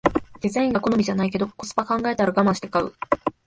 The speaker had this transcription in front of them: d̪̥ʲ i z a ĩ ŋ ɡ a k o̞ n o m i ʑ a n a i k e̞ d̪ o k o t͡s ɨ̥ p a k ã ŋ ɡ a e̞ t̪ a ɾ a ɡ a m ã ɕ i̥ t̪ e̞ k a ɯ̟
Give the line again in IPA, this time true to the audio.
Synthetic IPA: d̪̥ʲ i z a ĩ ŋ ɡ a k o̞ n o m i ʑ a n a i k e̞ d̪ o k o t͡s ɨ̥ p a k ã ŋ ɡ a e̞ t̪ a ɾ a ɡ a m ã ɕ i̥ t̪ e̞ k a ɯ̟